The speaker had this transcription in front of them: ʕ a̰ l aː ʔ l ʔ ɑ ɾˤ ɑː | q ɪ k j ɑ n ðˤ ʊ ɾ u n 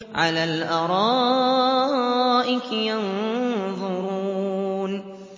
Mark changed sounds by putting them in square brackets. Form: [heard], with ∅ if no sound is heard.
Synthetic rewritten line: ʕ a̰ l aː [∅] l ʔ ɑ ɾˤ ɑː | [ʔ] ɪ k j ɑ n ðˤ ʊ ɾ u n